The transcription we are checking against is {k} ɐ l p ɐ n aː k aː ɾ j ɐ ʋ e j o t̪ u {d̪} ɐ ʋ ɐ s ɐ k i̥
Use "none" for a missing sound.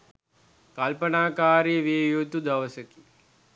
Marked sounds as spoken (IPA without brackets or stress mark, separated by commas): k, d̪